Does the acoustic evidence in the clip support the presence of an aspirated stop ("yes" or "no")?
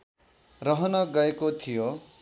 yes